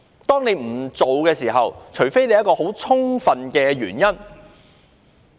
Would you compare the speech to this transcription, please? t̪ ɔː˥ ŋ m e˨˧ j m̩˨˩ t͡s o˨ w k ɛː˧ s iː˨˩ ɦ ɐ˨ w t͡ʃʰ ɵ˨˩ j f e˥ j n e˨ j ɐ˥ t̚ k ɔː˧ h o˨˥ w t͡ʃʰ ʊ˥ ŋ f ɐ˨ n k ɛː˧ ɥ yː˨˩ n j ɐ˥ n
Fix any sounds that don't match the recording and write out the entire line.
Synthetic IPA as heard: t̪ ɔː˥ ŋ n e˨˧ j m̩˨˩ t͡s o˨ w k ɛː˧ s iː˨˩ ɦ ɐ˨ w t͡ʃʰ ɵ˨˩ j f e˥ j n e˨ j ɐ˥ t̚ k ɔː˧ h o˨˥ w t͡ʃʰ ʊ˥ ŋ f ɐ˨ n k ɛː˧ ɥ yː˨˩ n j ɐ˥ n